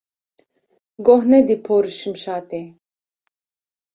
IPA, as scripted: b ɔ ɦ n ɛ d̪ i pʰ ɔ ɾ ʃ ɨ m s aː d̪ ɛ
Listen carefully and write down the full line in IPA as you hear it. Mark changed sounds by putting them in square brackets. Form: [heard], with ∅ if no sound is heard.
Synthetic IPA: [ɡ] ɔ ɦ n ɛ d̪ i pʰ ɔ ɾ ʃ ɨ m [ʃ] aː [t̪] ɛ